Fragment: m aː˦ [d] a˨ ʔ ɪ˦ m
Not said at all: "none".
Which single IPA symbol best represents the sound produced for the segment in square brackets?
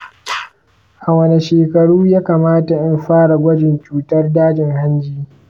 t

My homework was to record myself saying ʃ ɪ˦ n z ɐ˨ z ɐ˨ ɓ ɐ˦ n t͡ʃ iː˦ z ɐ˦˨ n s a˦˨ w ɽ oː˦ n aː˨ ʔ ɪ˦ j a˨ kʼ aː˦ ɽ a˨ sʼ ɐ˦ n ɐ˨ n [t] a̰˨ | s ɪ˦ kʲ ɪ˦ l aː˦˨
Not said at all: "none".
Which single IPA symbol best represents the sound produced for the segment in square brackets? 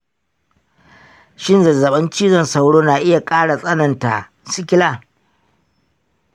t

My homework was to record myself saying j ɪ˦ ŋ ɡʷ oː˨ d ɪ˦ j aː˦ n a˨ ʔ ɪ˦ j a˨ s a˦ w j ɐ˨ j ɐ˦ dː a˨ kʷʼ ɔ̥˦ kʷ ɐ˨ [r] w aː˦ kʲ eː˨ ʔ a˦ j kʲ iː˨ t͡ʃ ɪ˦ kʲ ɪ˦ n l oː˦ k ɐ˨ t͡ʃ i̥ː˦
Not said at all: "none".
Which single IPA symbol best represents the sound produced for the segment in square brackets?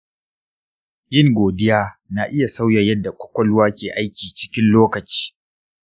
l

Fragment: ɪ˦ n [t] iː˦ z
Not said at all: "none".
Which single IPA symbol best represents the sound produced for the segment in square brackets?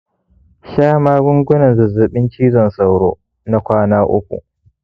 t͡ʃ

